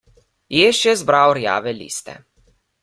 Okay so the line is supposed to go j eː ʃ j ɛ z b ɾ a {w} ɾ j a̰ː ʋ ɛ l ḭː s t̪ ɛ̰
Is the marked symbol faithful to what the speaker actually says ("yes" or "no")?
yes